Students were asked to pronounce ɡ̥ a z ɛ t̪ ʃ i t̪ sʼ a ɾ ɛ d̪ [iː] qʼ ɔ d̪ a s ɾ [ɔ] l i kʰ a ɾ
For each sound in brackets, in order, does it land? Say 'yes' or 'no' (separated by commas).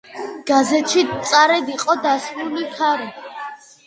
no, no